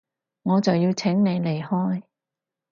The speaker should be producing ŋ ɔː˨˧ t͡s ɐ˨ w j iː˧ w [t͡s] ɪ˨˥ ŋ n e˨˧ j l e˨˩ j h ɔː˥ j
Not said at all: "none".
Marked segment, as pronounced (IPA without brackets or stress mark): t͡sʰ